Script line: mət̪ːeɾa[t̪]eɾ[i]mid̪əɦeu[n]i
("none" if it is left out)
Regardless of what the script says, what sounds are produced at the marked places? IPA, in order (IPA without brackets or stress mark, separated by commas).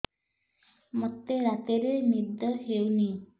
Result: t̪, e, n